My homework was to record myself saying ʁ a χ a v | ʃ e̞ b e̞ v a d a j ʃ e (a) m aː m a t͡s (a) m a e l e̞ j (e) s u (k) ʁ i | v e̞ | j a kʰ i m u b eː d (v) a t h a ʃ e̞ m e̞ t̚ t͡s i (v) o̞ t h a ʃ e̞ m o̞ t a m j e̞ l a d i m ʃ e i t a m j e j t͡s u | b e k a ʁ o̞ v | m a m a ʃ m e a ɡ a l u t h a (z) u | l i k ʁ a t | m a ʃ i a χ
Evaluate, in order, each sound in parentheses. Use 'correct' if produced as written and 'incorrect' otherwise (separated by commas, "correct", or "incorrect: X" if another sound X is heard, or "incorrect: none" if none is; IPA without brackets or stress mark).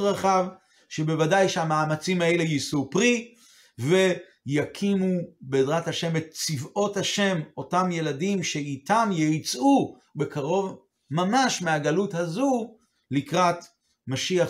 correct, incorrect: i, incorrect: i, incorrect: p, incorrect: ʁ, correct, correct